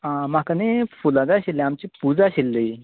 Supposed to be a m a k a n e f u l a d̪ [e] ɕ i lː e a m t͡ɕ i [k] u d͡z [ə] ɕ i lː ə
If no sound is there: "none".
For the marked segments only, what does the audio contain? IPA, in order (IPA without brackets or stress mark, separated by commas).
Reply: a, p, a